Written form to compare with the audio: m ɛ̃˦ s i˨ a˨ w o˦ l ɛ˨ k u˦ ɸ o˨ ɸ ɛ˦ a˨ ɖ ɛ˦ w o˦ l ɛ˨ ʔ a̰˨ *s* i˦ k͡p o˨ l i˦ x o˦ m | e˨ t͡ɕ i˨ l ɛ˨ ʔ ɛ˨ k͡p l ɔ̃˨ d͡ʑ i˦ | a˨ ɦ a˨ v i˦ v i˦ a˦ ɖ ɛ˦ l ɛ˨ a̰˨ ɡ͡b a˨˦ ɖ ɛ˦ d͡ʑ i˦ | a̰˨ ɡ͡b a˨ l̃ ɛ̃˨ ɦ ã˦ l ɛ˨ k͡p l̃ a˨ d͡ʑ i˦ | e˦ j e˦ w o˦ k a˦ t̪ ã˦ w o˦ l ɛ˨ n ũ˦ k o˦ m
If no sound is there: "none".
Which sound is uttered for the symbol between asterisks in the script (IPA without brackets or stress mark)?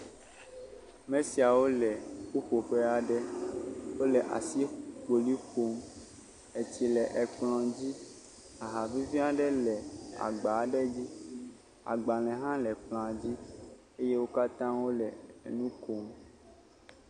s